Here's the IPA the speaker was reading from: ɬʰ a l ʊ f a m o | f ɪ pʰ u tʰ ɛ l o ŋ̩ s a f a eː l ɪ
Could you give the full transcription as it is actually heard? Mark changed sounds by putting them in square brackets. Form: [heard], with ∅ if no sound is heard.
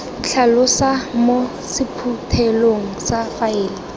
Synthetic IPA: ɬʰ a l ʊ [s] a m o | [s] ɪ pʰ u tʰ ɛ l o ŋ̩ s a f a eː l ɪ